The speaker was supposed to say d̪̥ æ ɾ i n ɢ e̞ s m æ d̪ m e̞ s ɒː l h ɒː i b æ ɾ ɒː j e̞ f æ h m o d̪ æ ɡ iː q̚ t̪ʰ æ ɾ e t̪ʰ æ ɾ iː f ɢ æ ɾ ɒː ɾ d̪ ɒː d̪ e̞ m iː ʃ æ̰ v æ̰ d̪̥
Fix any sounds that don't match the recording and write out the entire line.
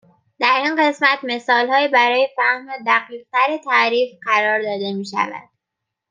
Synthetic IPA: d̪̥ æ ɾ i n ɢ e̞ s m æ t̪ m e̞ s ɒː l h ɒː i b æ ɾ ɒː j e̞ f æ h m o d̪ æ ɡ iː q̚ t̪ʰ æ ɾ e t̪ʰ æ ɾ iː f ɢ æ ɾ ɒː ɾ d̪ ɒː d̪ e̞ m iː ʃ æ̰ v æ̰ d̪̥

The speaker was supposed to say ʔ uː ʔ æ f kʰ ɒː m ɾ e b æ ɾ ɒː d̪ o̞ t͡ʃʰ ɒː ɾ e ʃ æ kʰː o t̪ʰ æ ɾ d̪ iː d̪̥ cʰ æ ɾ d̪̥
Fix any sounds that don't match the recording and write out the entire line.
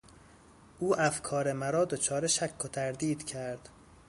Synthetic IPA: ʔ uː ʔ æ f kʰ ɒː ɾ e m æ ɾ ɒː d̪ o̞ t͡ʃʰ ɒː ɾ e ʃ æ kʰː o t̪ʰ æ ɾ d̪ iː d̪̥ cʰ æ ɾ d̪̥

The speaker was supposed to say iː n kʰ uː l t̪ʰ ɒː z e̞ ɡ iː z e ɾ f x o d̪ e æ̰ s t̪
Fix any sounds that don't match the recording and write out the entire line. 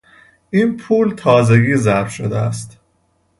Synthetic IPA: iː n pʰ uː l t̪ʰ ɒː z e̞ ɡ iː z æ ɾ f ʃ o d̪ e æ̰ s t̪

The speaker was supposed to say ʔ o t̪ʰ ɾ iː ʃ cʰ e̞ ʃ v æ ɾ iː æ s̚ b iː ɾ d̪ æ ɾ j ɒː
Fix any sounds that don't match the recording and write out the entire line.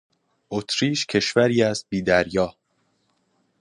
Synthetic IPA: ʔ o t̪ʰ ɾ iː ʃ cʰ e̞ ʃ v æ ɾ iː æ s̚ b iː d̪ æ ɾ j ɒː

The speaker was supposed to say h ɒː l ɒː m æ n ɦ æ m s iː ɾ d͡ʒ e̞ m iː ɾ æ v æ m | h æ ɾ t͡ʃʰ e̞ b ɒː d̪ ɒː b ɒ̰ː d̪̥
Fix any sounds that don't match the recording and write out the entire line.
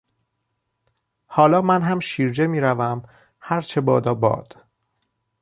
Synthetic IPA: h ɒː l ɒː m æ n ɦ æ m ʃ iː ɾ d͡ʒ e̞ m iː ɾ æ v æ m | h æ ɾ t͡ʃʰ e̞ b ɒː d̪ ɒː b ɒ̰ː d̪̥

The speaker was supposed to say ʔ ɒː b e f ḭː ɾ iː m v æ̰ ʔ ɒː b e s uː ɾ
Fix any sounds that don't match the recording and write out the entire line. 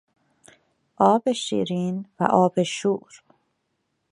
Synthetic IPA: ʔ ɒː b e ʃ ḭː ɾ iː n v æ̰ ʔ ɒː b e ʃ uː ɾ

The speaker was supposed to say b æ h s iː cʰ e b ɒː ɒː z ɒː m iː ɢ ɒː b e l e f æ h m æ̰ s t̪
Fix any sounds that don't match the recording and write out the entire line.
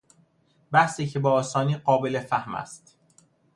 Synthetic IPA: b æ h s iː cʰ e b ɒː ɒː s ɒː n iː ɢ ɒː b e l e f æ h m æ̰ s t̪

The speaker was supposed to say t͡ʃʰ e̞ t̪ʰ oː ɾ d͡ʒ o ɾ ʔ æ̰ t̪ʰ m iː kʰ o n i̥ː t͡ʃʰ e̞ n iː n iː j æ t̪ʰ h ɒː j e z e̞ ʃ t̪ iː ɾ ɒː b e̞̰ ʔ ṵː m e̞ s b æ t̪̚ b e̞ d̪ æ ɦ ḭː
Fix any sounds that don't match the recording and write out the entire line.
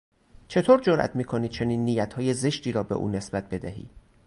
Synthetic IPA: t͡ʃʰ e̞ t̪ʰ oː ɾ d͡ʒ o ɾ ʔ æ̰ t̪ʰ m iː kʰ o n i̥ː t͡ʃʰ e̞ n iː nː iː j æ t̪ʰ h ɒː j e z e̞ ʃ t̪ iː ɾ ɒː b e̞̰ ʔ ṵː n e̞ s b æ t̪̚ b e̞ d̪ æ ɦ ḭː

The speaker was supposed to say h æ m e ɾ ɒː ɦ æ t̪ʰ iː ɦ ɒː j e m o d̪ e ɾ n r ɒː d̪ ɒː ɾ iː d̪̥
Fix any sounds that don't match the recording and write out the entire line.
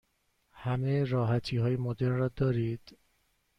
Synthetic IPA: h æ m e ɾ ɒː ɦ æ t̪ʰ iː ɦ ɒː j e m o d̪ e ɾ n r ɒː d̪ ɒː ɾ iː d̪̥

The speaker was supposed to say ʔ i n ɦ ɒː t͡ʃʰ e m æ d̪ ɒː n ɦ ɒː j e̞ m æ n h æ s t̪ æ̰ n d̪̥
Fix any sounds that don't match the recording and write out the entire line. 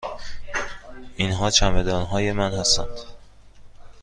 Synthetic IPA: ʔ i n ɦ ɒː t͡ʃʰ æ m e d̪ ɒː n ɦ ɒː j e̞ m æ n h æ s t̪ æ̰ n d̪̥

